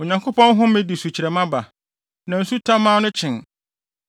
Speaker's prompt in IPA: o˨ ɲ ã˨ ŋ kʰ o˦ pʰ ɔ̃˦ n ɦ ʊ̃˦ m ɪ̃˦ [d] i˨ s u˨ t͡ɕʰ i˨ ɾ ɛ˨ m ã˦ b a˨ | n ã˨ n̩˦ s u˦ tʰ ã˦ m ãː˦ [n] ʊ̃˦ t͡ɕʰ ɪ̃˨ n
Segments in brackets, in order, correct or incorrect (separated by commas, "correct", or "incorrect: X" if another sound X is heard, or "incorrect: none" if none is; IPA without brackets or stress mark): correct, correct